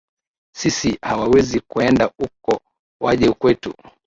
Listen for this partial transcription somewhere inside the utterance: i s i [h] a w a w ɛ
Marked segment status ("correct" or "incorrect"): correct